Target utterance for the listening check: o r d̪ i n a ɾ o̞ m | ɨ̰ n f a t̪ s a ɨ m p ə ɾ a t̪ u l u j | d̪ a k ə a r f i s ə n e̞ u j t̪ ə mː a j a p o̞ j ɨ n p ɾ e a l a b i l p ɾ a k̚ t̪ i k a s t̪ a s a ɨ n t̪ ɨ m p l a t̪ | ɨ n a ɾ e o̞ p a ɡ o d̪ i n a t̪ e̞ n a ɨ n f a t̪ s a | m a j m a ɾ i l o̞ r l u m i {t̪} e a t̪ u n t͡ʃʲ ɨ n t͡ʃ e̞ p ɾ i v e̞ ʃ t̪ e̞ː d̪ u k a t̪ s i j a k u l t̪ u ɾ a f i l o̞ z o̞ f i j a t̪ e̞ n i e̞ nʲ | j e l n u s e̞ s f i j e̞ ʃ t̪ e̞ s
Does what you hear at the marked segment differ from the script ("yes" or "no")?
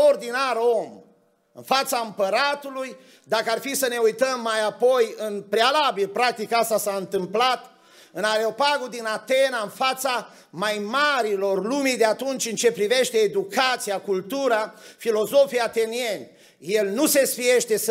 yes